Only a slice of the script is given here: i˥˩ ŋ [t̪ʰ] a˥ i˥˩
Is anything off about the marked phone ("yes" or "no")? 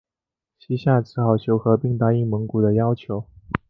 yes